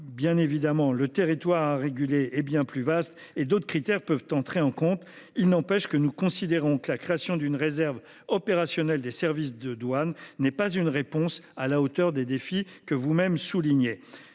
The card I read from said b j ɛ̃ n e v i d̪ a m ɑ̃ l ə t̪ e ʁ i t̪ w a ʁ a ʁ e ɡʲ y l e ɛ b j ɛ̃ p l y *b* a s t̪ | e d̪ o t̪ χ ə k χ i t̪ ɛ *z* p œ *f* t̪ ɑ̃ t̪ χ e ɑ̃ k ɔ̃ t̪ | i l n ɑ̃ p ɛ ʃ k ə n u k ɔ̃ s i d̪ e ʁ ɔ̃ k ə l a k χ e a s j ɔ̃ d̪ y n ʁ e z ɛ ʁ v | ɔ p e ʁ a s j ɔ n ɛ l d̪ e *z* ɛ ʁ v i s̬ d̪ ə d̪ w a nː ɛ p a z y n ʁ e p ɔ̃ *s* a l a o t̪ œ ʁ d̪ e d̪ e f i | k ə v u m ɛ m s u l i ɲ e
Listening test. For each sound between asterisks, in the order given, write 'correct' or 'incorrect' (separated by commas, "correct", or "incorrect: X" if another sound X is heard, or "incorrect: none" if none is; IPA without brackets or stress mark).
incorrect: v, incorrect: ʁ, incorrect: v, incorrect: s, correct